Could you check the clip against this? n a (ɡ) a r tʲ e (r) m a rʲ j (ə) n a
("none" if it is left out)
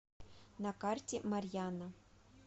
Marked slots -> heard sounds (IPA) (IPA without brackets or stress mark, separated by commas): k, none, a